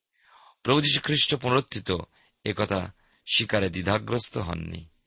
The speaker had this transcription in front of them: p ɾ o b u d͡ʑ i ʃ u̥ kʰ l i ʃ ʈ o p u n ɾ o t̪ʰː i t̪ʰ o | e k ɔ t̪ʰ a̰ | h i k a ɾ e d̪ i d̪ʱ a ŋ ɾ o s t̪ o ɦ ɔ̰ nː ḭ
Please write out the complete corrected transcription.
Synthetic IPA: p ɾ o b u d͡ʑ i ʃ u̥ kʰ ɾ i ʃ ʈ o p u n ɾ o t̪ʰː i t̪ o | e k ɔ t̪ʰ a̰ | ʃ i k a ɾ e d̪ i d̪ʱ a ɡ ɾ o s t̪ o ɦ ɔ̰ nː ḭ